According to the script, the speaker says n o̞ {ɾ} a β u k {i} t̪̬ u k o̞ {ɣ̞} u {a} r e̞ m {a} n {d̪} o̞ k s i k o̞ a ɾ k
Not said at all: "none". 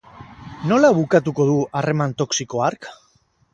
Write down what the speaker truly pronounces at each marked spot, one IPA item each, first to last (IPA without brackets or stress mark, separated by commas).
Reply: l, a, ð̞, a, a, t̪